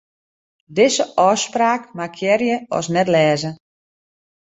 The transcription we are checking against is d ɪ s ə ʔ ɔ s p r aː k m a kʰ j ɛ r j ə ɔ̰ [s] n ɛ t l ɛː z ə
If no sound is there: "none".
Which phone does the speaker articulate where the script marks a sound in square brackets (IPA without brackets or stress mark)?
s